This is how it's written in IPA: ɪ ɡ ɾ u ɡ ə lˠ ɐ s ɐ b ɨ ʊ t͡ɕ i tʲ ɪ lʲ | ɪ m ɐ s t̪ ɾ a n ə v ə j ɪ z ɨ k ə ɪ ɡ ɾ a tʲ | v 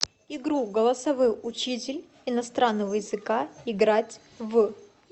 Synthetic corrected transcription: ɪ ɡ ɾ u ɡ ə lˠ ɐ s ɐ v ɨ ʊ t͡ɕ i tʲ ɪ lʲ | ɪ n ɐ s t̪ ɾ a nː ə v ə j ɪ z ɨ k a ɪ ɡ ɾ a tʲ | v